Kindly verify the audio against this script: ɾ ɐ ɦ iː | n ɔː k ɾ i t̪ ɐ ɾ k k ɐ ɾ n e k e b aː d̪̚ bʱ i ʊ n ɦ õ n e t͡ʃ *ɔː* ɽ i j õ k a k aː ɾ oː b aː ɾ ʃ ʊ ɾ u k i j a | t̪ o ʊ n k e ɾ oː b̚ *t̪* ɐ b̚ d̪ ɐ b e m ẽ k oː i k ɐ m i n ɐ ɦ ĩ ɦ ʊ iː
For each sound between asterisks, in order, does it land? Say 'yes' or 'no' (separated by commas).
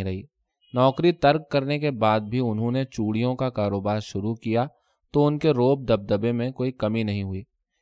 no, no